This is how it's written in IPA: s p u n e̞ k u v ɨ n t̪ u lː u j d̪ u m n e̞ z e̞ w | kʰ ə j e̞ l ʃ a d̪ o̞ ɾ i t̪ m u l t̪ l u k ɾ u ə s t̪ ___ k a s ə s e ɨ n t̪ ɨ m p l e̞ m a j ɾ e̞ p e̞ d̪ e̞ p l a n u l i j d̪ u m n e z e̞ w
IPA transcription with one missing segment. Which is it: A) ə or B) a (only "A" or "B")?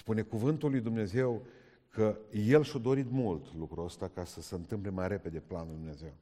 B